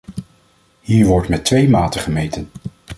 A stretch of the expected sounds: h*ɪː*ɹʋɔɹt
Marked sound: incorrect: iː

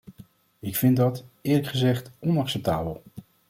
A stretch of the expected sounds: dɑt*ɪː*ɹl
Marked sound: correct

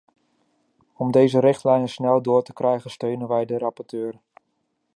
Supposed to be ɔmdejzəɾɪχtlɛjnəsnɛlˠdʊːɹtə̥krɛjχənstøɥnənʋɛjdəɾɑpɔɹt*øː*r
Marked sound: correct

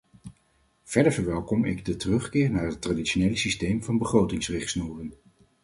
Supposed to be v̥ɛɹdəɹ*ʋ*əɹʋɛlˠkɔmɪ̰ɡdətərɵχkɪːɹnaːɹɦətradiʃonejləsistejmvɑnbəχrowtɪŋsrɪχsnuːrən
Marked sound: incorrect: v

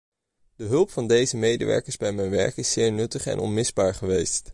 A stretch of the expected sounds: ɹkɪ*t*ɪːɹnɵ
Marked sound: incorrect: s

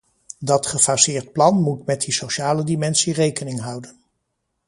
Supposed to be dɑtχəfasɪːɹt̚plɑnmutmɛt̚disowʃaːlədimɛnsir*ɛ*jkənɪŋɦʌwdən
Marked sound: incorrect: e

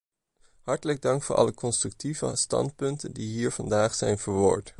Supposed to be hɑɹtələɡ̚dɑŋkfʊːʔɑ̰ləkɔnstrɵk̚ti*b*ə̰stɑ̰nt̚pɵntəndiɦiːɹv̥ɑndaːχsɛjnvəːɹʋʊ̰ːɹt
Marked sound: incorrect: v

